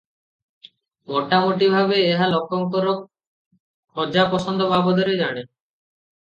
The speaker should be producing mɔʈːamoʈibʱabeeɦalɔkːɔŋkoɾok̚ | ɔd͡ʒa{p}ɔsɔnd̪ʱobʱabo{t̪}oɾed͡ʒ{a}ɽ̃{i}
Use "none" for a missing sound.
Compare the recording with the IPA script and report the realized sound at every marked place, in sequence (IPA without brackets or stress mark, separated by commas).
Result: p, d̪, a, e